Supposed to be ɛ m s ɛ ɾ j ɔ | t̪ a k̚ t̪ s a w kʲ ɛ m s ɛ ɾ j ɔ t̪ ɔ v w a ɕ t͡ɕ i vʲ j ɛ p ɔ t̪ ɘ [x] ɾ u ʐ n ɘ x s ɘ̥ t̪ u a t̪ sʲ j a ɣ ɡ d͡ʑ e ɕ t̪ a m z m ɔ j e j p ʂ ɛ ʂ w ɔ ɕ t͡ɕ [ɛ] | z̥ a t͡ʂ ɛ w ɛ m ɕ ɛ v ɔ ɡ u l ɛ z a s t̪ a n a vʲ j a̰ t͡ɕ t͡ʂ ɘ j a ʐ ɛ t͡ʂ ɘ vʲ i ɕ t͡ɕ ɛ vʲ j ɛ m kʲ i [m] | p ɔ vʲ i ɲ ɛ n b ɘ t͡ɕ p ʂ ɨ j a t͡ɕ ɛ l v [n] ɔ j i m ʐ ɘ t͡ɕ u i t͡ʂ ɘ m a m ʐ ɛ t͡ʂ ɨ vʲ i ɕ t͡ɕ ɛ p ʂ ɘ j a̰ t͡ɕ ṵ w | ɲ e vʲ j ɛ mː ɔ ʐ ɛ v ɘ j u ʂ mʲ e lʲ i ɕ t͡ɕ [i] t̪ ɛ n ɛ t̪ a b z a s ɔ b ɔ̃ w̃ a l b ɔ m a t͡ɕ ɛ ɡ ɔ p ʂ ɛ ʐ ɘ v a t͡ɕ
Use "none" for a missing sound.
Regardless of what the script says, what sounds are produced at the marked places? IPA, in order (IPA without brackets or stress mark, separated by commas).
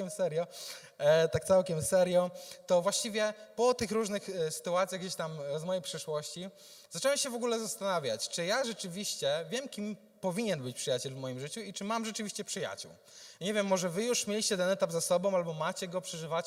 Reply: x, i, m, m, ɛ